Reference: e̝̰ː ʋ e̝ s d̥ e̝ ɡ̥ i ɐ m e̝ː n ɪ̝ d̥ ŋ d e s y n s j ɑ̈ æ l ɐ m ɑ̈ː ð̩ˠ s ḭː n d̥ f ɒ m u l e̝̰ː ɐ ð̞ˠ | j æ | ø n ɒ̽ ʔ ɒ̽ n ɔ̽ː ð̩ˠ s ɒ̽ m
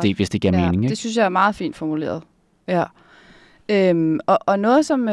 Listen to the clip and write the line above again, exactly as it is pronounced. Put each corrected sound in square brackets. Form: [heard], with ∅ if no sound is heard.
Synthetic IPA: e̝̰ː ʋ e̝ s d̥ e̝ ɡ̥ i ɐ m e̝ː n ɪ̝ [∅] ŋ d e s y n s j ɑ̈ æ [∅] ɐ m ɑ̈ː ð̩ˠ [f] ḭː n d̥ f ɒ m u l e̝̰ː ɐ ð̞ˠ | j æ | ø [m] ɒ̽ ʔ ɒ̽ n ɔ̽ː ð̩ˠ s ɒ̽ m